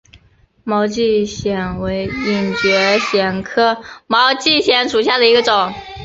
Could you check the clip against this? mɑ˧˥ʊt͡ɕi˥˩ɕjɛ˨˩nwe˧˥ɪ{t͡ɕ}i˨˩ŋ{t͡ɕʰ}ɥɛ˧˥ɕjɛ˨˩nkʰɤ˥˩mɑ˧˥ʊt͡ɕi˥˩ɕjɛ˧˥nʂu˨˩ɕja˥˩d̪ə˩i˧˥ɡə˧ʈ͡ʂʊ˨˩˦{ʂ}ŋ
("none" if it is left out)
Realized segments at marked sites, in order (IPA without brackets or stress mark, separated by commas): none, t͡ɕ, none